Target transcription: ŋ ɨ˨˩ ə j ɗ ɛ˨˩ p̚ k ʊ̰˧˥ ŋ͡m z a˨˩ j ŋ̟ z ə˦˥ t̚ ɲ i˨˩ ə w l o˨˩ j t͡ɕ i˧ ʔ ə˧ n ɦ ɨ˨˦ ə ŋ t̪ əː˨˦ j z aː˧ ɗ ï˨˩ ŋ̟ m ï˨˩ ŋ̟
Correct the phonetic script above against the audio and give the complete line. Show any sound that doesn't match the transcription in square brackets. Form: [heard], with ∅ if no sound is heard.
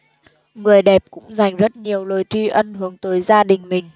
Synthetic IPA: ŋ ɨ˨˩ ə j ɗ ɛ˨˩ p̚ k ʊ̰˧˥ ŋ͡m z a˨˩ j ŋ̟ z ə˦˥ t̚ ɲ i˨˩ ə w l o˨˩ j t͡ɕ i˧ ʔ ə˧ n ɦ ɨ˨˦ ə ŋ t̪ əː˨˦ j z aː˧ ɗ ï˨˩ ŋ̟ m ï˨˩ ŋ̟